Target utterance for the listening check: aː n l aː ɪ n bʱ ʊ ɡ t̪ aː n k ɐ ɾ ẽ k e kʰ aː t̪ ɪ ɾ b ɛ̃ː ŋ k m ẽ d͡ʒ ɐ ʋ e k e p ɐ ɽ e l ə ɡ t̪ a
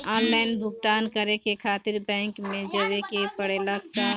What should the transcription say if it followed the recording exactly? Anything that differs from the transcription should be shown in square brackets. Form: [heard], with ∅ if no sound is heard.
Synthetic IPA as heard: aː n l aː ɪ n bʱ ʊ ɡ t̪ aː n k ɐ ɾ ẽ k e kʰ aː t̪ ɪ ɾ b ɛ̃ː ŋ k m ẽ d͡ʒ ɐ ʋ e k e p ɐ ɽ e l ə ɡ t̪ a